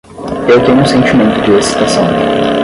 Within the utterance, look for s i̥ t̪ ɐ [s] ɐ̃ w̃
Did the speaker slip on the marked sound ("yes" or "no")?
no